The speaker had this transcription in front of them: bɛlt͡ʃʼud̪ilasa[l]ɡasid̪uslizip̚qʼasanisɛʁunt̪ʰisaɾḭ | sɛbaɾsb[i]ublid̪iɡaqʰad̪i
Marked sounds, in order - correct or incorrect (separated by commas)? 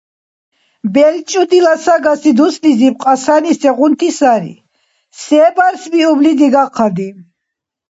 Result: incorrect, correct